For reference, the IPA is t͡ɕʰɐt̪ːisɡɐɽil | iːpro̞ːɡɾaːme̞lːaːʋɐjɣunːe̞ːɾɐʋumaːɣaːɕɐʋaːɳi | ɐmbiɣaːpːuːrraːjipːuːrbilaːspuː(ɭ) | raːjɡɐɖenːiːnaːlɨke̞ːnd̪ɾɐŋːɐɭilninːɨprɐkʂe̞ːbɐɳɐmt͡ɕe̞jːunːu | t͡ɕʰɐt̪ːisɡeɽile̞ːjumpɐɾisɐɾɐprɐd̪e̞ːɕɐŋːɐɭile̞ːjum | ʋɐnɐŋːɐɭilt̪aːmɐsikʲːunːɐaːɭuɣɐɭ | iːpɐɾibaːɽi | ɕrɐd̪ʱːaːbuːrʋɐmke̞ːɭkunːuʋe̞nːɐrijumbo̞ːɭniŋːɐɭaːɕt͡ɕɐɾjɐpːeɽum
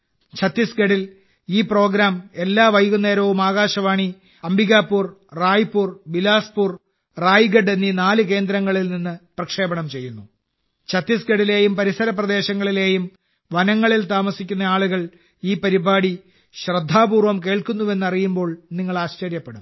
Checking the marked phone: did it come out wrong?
yes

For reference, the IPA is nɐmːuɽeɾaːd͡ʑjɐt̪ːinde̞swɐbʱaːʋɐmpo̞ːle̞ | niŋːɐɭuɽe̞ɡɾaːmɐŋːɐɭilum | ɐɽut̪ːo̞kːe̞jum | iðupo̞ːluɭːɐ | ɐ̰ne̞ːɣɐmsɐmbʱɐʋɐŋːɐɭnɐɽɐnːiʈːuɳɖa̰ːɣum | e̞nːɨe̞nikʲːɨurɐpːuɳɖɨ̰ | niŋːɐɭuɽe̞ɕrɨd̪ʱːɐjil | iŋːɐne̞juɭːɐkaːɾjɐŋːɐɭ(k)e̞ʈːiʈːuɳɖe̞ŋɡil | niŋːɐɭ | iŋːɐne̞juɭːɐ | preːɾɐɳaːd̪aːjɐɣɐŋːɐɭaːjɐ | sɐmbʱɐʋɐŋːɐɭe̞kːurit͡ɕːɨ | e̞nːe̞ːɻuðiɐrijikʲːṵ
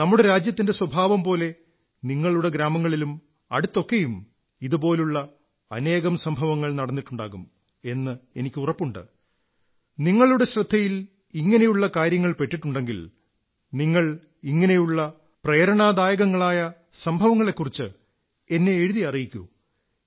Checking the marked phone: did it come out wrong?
yes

